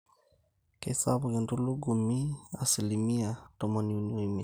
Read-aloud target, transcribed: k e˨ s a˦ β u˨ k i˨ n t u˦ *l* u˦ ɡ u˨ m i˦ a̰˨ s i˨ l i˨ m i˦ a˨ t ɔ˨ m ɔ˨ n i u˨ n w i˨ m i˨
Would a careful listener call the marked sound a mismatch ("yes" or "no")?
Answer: no